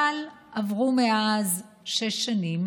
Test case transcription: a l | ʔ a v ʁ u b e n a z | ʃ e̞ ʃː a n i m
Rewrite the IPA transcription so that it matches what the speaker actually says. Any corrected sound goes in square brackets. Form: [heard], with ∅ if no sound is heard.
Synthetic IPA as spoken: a l | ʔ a v ʁ u [m] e [∅] a z | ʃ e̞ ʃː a n i m